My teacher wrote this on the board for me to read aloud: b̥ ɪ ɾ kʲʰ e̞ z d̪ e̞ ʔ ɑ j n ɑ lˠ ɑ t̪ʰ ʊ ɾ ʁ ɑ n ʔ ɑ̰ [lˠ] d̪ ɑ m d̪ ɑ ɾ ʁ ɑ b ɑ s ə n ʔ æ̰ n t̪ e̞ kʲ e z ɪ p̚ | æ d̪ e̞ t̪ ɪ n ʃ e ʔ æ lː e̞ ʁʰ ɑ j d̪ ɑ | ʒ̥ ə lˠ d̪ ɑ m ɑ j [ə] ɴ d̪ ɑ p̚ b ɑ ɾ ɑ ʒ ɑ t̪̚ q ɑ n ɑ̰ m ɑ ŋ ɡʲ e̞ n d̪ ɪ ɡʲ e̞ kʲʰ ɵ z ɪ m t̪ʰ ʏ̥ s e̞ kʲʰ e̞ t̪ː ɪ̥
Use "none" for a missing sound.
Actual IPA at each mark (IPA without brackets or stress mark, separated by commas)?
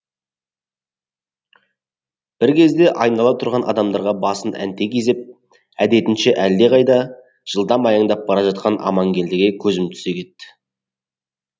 none, ɑ